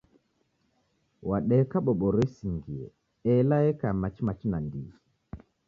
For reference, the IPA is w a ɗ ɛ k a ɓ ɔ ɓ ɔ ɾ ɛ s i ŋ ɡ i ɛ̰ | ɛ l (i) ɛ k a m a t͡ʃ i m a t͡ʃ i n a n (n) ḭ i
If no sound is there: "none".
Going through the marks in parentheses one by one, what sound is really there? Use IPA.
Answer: a, d

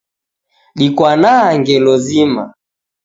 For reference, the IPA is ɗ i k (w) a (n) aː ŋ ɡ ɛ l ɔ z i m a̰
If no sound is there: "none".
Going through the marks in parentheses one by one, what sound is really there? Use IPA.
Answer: w, n

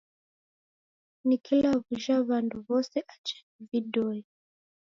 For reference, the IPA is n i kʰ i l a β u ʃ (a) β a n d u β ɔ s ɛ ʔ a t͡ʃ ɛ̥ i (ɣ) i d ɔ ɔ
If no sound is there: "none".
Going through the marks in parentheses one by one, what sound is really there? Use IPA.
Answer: a, v

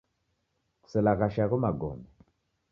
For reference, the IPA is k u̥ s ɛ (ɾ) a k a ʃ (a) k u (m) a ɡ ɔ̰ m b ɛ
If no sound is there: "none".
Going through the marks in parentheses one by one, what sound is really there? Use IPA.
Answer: l, a, m

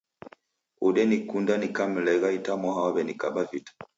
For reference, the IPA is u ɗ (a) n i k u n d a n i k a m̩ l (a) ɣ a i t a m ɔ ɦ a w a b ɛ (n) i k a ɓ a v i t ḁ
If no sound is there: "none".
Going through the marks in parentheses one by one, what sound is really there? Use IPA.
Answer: ɛ, ɛ, n

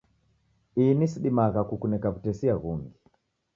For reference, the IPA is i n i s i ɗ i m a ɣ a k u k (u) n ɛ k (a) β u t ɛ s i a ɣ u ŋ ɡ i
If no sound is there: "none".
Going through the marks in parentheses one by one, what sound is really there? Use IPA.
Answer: u, a

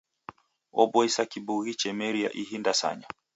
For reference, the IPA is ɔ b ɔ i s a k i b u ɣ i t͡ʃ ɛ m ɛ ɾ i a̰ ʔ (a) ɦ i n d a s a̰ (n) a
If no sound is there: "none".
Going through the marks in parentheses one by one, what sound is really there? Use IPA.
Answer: i, ɲ

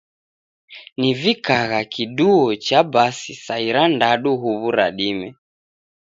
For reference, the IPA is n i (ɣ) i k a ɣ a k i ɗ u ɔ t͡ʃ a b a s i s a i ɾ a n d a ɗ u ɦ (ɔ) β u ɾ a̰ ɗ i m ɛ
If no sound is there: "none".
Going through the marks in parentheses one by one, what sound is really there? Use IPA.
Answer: v, u

